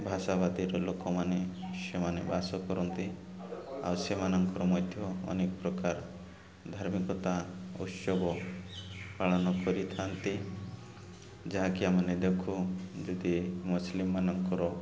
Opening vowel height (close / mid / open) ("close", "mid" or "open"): open